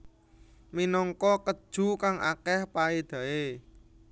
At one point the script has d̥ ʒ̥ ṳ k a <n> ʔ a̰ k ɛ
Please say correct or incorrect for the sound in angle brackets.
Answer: incorrect